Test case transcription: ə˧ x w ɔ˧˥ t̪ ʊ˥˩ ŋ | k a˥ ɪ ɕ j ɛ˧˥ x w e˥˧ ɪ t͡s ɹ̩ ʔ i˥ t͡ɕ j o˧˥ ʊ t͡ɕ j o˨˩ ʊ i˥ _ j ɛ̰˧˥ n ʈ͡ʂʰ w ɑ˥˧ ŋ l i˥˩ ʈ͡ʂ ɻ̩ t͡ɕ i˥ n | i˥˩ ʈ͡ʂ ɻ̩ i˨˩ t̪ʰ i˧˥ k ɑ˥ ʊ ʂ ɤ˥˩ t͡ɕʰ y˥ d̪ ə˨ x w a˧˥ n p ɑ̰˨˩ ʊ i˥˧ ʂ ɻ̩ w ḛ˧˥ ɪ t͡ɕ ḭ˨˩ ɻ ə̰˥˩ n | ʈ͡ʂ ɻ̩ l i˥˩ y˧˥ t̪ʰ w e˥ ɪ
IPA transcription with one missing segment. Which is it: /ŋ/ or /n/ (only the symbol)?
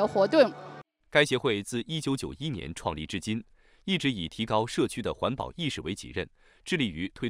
n